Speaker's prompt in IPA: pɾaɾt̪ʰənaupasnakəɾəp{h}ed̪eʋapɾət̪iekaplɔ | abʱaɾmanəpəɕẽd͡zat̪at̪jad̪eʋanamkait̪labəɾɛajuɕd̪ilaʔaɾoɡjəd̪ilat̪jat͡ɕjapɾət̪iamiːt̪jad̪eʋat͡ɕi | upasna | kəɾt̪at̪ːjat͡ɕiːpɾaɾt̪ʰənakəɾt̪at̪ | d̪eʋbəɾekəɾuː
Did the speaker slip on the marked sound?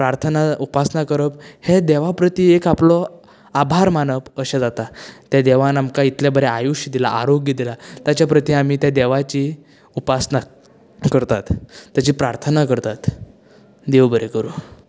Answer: no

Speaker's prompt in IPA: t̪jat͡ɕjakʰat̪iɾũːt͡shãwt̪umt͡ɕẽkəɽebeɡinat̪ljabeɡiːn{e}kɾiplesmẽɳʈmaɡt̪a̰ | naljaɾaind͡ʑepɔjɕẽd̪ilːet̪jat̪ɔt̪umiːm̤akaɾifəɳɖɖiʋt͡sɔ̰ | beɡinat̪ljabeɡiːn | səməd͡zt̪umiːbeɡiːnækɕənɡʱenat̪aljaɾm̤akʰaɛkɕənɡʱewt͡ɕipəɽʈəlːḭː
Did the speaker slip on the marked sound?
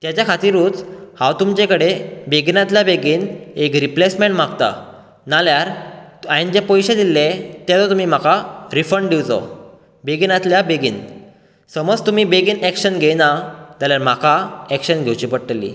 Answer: no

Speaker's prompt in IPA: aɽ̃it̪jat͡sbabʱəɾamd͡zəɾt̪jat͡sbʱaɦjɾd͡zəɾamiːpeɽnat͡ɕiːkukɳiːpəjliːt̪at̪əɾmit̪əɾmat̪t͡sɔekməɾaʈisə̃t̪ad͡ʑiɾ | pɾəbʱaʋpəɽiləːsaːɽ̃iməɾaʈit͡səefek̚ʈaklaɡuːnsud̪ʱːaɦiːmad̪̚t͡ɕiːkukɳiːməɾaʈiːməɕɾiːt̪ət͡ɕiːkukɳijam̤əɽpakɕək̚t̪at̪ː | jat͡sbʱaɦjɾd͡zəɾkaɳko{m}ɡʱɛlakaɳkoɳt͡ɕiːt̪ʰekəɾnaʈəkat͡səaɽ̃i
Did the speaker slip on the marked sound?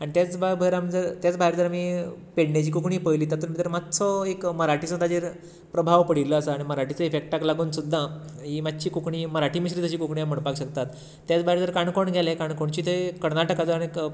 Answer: yes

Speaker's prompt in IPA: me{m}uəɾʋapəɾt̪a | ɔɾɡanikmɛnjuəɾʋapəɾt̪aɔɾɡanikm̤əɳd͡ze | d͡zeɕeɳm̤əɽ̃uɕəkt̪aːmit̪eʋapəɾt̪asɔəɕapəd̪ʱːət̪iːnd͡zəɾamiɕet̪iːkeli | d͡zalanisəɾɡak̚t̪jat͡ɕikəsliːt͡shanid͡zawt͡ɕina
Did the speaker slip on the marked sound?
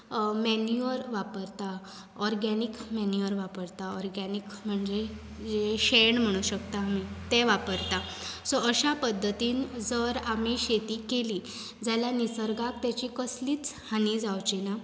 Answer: yes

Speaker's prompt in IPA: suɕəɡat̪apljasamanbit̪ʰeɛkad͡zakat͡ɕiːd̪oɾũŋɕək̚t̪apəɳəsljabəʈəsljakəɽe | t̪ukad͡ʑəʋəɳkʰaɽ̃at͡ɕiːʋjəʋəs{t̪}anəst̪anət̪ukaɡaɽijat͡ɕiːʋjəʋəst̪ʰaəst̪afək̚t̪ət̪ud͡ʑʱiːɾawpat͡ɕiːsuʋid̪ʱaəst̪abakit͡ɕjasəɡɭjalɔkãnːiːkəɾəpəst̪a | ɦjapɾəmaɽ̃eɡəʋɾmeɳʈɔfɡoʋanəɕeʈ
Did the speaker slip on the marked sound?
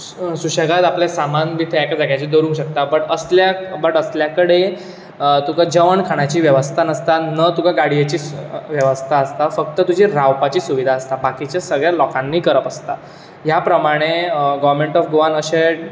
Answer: yes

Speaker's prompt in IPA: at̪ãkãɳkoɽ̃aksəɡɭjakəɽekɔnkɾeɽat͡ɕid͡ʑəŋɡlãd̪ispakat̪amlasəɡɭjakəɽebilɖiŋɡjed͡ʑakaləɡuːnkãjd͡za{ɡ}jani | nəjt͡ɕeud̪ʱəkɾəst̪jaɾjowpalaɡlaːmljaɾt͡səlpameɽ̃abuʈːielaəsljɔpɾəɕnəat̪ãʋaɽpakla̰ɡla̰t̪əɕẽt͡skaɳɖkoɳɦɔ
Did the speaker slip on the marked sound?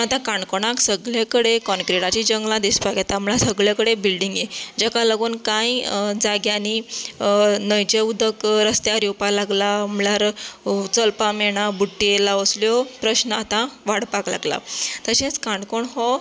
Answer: no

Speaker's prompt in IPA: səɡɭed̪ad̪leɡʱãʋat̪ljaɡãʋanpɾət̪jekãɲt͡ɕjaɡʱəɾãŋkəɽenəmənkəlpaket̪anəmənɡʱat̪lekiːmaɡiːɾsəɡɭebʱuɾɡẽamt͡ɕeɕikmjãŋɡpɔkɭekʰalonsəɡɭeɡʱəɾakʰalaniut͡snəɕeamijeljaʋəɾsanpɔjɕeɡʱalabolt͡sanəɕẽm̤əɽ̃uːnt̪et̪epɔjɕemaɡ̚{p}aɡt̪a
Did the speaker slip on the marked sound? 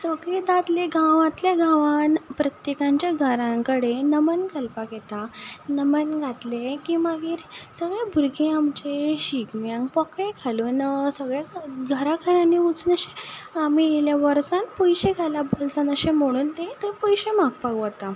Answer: no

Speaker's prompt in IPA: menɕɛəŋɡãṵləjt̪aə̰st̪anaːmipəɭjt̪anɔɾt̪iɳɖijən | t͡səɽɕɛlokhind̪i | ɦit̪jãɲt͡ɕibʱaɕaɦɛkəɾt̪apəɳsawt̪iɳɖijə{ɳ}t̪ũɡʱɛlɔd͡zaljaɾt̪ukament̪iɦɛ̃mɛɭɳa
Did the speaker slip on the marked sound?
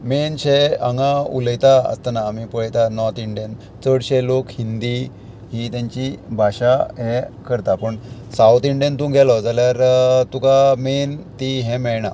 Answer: yes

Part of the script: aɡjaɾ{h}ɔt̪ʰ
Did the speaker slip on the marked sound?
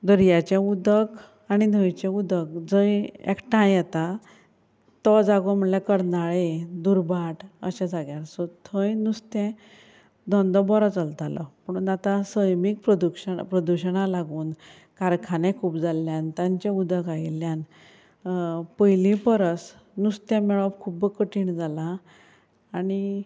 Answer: yes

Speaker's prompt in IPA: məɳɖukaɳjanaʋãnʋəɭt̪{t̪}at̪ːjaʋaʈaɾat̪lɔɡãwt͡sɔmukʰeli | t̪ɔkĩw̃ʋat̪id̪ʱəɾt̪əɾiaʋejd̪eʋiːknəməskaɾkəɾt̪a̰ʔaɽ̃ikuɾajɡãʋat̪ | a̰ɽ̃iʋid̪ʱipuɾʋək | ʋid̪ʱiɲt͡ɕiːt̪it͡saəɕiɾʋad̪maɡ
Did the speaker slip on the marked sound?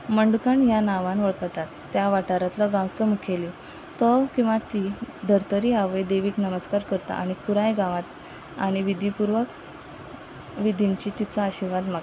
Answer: no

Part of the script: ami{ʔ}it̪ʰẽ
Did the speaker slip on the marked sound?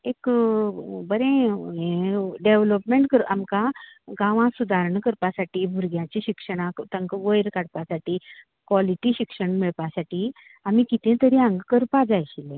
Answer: yes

